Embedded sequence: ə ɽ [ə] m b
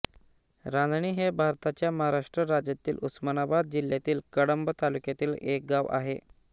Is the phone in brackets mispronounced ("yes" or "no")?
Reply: no